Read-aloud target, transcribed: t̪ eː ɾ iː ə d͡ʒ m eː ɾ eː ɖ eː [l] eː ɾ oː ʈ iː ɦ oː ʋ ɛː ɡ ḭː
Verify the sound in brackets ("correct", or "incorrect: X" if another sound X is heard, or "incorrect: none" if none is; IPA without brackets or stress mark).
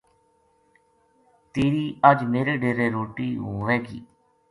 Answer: incorrect: ɾ